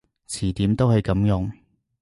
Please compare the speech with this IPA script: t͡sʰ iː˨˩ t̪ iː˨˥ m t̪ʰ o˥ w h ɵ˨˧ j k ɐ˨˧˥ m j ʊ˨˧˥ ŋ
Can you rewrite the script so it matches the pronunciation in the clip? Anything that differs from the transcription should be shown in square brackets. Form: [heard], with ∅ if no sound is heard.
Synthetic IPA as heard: t͡sʰ iː˨˩ t̪ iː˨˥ m [t̪] o˥ w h ɵ˨˧ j k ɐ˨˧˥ m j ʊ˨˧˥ ŋ